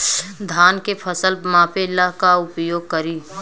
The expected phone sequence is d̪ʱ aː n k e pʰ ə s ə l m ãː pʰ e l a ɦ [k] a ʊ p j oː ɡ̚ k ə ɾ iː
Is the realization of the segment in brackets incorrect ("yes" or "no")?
no